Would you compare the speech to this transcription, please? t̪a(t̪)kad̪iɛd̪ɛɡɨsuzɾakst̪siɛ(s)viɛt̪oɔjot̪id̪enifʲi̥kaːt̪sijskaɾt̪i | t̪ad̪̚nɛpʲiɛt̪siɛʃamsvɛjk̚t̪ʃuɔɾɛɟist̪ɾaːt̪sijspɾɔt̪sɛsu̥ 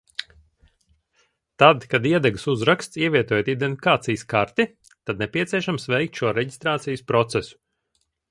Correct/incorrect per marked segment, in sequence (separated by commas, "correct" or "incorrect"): incorrect, incorrect